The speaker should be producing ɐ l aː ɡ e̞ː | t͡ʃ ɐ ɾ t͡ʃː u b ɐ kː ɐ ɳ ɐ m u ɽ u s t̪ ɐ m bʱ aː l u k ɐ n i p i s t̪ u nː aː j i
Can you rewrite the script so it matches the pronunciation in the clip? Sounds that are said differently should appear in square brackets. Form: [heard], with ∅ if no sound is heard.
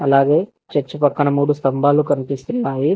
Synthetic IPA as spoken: ɐ l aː ɡ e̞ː | t͡ʃ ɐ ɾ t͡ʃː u [p] ɐ kː ɐ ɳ ɐ m [uː] ɽ u s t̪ ɐ m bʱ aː l u k ɐ n i p i s t̪ u nː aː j i